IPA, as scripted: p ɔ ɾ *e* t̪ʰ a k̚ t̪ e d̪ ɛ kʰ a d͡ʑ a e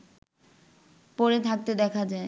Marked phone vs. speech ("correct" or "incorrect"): correct